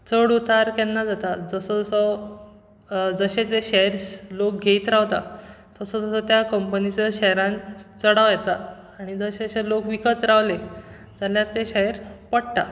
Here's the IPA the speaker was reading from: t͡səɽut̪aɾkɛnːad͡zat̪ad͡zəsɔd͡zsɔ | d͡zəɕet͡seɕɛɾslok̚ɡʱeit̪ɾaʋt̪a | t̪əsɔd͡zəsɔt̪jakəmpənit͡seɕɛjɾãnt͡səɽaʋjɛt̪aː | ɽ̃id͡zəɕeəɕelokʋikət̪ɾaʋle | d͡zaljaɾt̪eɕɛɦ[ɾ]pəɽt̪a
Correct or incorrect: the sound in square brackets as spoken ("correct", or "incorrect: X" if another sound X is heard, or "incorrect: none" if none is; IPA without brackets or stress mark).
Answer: correct